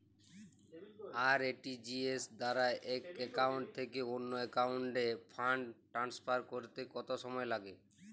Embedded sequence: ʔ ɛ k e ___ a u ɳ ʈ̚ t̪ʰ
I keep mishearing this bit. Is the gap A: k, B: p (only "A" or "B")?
A